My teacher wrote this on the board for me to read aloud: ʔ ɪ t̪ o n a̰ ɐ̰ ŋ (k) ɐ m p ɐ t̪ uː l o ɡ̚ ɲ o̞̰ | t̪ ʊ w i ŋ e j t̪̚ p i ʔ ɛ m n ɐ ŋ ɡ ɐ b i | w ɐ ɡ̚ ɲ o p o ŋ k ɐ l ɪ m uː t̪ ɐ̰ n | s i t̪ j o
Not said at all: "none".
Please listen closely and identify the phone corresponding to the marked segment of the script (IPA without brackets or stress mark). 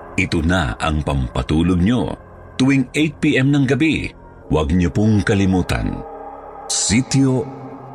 p